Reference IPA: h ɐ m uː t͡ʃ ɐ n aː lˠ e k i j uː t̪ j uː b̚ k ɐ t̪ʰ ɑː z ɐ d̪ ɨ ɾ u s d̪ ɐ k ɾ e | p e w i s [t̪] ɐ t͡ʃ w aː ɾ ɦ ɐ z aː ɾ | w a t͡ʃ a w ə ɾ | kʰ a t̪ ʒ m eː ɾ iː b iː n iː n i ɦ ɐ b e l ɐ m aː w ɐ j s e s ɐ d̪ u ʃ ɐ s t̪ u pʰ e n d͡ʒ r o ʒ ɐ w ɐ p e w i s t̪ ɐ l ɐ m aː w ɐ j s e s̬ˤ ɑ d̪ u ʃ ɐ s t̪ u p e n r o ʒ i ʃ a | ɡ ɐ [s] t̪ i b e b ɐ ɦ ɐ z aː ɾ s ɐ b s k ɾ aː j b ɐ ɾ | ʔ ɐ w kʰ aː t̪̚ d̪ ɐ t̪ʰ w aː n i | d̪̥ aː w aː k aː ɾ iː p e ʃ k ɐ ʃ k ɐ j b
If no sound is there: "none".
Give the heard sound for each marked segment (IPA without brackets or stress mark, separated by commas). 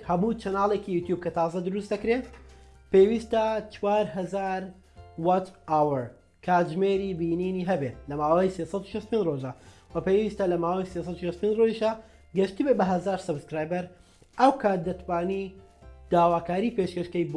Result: t̪, ʃ